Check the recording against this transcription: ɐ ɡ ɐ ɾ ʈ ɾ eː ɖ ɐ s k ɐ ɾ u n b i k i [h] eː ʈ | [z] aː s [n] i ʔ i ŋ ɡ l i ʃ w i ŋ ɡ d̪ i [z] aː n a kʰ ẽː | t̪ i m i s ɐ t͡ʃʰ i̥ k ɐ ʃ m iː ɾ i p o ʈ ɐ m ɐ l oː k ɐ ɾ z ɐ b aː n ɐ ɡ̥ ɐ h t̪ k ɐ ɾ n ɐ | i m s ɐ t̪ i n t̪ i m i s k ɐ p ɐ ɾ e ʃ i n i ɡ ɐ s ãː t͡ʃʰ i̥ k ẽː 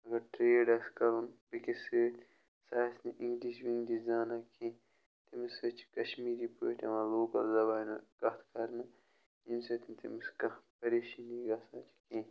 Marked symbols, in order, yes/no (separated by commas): no, no, yes, yes